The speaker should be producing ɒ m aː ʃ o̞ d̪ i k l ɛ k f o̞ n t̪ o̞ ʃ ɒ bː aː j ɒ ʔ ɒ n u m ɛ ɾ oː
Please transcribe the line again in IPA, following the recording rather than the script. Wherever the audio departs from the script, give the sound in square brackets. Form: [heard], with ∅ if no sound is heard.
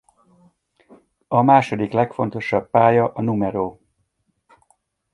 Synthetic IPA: ɒ m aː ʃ o̞ d̪ i k l ɛ k f o̞ n t̪ o̞ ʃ ɒ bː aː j ɒ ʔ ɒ n u m ɛ ɾ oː